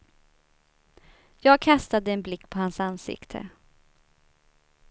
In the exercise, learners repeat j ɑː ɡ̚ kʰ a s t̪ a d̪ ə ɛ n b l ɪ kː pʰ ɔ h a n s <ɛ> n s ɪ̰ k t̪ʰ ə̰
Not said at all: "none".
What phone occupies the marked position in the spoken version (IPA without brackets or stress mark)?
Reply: a